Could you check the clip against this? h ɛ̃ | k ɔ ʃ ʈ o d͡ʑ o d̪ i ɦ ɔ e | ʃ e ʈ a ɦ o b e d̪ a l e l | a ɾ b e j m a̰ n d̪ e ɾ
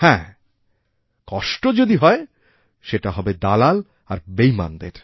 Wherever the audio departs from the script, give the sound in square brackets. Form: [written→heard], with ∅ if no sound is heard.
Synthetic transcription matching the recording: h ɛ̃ | k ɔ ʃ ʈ o d͡ʑ o d̪ i ɦ ɔ e | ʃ e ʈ a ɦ [o→ɔ] b e d̪ a l [e→a] l | a ɾ b e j m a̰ n d̪ e ɾ